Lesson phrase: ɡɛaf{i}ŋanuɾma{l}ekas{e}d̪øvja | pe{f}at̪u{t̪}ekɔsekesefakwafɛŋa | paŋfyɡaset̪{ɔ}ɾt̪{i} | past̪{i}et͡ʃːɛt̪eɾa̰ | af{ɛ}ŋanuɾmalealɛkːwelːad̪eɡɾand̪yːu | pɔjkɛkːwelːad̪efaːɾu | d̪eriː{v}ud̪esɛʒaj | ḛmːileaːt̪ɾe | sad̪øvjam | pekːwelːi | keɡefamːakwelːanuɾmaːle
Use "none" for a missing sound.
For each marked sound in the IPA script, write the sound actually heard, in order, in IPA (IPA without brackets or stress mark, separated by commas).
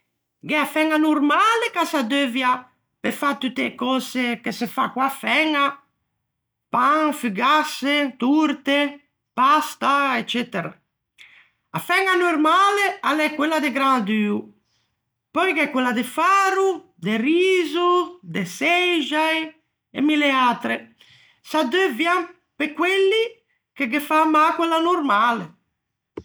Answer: ɛ, l, a, f, t̪, u, e, a, ɛ, z